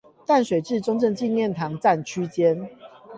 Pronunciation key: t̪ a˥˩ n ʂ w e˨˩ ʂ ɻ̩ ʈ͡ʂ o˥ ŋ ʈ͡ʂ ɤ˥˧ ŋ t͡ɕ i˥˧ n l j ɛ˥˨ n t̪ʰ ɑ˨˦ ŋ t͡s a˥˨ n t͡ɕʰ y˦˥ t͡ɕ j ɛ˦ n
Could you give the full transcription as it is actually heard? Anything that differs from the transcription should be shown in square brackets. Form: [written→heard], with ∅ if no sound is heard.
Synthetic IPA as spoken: t̪ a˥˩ n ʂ w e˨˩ [ʂ→ʈ͡ʂ] ɻ̩ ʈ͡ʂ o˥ ŋ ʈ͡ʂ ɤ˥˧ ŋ t͡ɕ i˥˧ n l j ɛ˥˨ n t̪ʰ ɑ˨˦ ŋ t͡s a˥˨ n t͡ɕʰ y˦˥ t͡ɕ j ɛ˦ n